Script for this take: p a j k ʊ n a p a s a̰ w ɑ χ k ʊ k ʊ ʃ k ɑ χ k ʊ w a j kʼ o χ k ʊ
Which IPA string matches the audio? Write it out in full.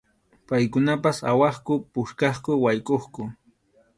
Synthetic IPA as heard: p a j k ʊ n a p a s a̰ w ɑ χ k ʊ p ʊ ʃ k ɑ χ k ʊ w a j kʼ o χ k ʊ